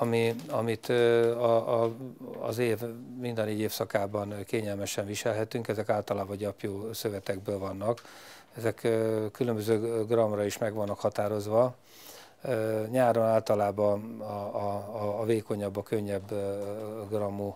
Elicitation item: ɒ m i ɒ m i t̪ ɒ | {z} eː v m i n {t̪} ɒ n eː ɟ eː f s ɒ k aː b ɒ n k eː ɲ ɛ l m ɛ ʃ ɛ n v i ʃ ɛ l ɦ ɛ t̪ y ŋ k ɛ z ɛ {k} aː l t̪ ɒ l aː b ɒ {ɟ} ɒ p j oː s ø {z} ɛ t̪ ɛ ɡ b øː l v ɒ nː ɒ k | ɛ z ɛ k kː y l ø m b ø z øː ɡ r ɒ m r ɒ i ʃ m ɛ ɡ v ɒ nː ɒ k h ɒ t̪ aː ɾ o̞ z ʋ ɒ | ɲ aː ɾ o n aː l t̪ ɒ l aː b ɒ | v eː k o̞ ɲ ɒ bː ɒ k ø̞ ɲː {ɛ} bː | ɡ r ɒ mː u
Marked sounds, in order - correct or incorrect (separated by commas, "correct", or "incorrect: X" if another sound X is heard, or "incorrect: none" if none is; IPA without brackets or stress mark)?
correct, incorrect: d̪, correct, correct, incorrect: v, correct